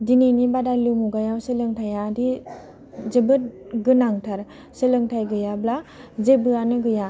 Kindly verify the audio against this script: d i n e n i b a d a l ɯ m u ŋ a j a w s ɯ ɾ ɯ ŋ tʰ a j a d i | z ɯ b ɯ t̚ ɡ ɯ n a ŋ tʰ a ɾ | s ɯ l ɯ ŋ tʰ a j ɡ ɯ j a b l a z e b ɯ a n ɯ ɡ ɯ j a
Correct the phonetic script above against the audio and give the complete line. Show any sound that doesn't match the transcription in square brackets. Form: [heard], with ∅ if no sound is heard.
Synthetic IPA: d i n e n i b a d a l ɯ m u [ɡ] a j a w s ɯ [l] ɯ ŋ tʰ a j a d i | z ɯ b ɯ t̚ ɡ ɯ n a ŋ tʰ a ɾ | s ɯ l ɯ ŋ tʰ a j ɡ ɯ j a b l a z e b ɯ a n ɯ ɡ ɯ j a